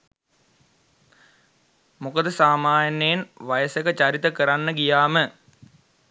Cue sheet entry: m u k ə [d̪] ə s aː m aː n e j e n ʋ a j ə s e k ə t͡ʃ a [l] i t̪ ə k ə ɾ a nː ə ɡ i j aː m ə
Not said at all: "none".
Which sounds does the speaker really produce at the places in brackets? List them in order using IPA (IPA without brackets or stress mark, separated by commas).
d̪, ɾ